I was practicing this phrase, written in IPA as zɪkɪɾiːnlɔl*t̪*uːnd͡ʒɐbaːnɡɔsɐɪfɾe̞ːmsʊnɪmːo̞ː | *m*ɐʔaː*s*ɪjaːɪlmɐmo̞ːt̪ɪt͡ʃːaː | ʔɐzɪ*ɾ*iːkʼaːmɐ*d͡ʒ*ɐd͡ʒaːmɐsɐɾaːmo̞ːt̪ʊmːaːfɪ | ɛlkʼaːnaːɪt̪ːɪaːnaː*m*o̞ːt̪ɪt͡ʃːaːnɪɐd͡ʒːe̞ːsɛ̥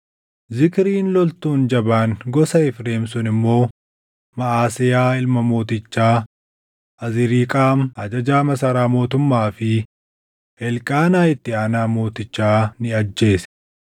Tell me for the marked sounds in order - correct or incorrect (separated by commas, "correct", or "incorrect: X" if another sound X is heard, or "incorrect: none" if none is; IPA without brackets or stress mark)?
correct, correct, correct, correct, correct, correct